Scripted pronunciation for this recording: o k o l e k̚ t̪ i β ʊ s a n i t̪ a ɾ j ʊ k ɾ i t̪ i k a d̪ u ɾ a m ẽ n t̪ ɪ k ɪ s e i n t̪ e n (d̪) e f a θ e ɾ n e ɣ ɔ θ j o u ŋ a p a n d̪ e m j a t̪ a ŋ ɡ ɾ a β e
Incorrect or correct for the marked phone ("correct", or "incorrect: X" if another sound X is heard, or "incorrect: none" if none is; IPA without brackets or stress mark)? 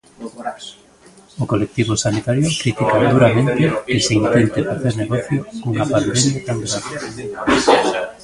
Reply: incorrect: t̪